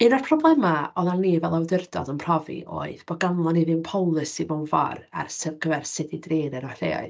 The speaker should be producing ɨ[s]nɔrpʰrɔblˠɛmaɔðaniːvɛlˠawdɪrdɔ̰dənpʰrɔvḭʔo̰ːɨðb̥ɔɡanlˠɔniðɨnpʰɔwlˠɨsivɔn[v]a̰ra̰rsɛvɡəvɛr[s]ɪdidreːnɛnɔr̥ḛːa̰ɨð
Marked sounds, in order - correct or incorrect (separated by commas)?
incorrect, correct, correct